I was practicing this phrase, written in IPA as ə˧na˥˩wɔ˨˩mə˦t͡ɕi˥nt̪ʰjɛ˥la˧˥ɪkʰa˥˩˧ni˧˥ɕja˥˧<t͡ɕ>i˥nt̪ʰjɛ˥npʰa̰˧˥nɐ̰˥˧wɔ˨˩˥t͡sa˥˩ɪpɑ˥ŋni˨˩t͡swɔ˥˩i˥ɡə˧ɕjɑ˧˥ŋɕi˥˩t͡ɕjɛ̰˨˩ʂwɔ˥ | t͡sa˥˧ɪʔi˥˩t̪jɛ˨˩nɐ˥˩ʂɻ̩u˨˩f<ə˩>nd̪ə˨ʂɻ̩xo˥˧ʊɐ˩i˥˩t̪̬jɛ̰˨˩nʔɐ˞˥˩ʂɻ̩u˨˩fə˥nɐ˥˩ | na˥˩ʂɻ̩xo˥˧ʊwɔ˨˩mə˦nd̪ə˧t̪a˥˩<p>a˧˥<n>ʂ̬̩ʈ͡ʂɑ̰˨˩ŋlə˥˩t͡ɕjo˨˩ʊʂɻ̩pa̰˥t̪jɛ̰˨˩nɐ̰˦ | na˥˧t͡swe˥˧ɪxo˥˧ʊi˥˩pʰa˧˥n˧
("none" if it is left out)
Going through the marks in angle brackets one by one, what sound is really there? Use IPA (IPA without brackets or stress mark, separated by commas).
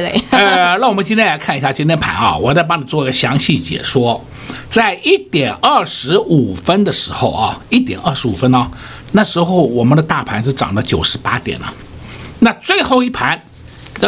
t͡ɕ, ə˥, pʰ, n